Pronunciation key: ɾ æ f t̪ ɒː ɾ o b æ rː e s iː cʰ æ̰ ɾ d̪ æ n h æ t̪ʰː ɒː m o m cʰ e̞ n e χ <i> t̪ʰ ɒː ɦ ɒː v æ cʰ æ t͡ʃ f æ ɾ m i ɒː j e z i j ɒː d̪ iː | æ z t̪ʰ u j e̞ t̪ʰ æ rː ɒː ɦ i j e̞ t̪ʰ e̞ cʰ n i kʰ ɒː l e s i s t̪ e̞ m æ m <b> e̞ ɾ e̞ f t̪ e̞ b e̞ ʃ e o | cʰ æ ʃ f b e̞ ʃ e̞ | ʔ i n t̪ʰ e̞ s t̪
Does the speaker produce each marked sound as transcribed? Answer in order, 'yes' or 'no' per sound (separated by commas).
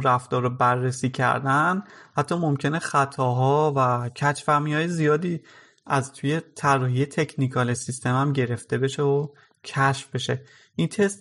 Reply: no, no